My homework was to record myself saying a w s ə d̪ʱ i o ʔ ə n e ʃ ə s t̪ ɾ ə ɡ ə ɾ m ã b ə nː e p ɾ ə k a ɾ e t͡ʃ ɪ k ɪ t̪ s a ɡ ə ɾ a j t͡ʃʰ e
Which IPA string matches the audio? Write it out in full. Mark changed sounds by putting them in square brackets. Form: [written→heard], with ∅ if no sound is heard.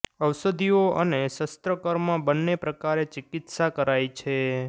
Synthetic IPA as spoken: [a→ə] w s ə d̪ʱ i o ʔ ə n e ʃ ə s t̪ ɾ ə [ɡ→k] ə ɾ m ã b ə nː e p ɾ ə k a ɾ e t͡ʃ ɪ k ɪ t̪ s a [ɡ→k] ə ɾ a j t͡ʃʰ e